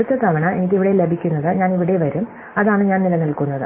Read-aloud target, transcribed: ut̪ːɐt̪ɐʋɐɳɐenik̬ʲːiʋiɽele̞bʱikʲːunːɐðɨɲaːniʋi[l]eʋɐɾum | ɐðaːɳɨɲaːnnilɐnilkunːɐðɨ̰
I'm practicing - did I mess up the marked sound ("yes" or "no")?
yes